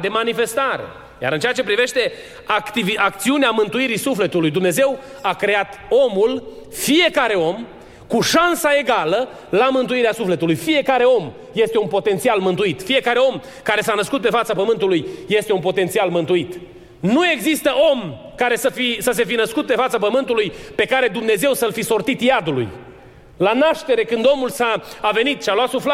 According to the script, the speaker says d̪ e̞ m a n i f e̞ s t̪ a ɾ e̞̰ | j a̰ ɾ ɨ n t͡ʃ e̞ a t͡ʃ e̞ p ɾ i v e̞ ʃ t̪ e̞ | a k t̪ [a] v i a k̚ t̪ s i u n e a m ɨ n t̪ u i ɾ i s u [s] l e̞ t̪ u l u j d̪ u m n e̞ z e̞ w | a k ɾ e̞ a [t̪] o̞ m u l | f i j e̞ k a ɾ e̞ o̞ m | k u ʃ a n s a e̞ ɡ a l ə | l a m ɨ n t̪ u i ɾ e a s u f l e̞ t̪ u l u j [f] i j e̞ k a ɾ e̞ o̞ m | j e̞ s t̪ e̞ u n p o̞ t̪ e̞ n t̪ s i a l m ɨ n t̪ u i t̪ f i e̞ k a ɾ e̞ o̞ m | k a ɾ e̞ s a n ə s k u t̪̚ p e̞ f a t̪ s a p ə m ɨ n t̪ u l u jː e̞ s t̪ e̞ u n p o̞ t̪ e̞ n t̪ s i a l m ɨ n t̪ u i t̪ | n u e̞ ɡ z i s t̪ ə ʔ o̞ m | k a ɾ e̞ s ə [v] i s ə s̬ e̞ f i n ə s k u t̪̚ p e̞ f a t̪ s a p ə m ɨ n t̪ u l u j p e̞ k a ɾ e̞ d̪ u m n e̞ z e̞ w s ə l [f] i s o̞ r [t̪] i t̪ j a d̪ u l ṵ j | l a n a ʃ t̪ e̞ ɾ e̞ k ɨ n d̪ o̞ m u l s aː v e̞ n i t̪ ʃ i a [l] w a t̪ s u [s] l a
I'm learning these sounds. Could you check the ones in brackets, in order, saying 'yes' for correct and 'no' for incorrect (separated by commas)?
no, no, yes, yes, no, yes, yes, yes, no